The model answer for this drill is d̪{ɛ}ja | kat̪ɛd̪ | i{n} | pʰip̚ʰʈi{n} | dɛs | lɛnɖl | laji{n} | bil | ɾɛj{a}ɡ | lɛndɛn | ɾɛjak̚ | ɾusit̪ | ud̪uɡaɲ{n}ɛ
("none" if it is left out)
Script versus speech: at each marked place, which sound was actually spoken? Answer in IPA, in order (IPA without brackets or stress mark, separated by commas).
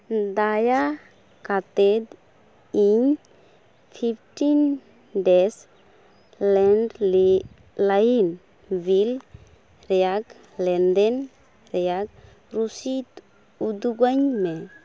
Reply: a, ɲ, n, n, a, m